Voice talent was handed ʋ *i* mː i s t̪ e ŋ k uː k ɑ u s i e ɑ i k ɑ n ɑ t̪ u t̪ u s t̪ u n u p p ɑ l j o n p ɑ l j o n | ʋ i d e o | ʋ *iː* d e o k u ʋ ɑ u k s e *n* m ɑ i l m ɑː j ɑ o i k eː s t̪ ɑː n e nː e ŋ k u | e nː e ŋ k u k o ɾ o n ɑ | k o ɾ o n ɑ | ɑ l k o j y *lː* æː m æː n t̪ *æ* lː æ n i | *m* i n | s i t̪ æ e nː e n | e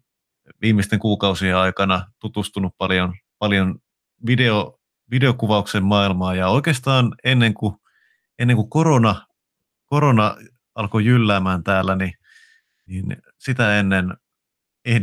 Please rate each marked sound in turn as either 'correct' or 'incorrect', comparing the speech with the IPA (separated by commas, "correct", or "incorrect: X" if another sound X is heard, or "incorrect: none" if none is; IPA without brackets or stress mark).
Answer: incorrect: iː, incorrect: i, incorrect: m, correct, incorrect: æː, incorrect: n